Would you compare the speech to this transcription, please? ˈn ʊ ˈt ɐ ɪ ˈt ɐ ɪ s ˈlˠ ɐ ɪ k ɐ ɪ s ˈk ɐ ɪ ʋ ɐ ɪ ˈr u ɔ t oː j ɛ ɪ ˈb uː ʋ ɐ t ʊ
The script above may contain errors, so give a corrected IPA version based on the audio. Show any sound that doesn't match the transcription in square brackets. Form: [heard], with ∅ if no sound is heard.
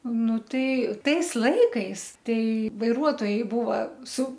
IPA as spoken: ˈn ʊ ˈt ɐ ɪ ˈt ɐ ɪ s ˈlˠ ɐ ɪ k ɐ ɪ s [ˈt] ɐ ɪ ʋ ɐ ɪ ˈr u ɔ t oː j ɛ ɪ ˈb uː ʋ ɐ [s] ʊ